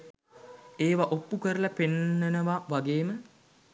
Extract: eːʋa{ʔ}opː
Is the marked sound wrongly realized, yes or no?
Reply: no